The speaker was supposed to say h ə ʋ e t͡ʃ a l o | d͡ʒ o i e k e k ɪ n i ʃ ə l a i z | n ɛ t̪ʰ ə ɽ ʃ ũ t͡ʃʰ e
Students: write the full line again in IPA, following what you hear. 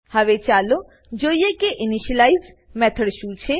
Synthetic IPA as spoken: h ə ʋ e t͡ʃ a l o | d͡ʒ o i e k e ʔ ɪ n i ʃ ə l a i z | m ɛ t̪ʰ ə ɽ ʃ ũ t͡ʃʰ e